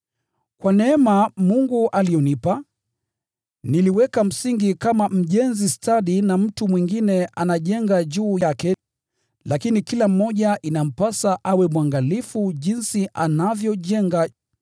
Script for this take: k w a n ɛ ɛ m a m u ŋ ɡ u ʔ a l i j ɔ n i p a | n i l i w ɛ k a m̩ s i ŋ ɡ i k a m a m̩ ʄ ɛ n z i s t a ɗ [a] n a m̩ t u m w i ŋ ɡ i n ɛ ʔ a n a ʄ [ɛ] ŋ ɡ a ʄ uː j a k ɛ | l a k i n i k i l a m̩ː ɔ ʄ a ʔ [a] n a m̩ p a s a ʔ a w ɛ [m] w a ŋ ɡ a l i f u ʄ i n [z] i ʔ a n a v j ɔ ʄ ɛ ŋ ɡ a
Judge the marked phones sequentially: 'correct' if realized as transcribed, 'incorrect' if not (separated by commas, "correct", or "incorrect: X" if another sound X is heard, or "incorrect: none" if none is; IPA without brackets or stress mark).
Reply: incorrect: i, correct, incorrect: i, correct, incorrect: s